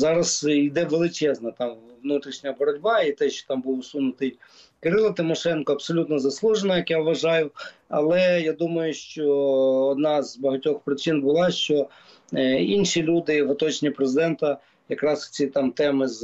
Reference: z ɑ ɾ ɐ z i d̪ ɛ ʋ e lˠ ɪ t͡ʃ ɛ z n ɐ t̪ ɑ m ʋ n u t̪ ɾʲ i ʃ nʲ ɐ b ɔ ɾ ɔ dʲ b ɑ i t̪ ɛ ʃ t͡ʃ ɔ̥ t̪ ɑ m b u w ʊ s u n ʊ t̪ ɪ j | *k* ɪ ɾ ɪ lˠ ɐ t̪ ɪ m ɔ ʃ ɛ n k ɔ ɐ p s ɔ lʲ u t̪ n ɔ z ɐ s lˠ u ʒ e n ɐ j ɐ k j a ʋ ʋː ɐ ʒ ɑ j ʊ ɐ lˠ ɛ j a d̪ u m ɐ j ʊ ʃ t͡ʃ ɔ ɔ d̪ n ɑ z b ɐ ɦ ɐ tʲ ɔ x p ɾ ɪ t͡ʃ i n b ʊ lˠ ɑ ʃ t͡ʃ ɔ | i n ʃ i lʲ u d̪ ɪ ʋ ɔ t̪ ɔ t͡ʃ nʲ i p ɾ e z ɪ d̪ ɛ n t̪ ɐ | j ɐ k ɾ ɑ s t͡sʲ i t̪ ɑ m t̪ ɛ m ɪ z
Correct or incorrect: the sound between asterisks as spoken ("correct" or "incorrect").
correct